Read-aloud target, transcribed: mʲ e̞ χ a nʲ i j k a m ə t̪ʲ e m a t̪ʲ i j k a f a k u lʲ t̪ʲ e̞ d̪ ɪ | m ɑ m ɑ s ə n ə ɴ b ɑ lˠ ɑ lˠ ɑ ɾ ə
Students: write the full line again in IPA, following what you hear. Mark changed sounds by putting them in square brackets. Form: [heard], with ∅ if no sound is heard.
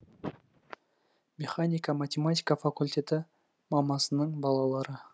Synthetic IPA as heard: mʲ e̞ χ a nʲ i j k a m [a] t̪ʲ e m a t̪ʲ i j k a f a k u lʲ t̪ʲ e̞ [t̪] ɪ | m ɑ m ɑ s ə n ə ɴ b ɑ lˠ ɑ lˠ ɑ ɾ ə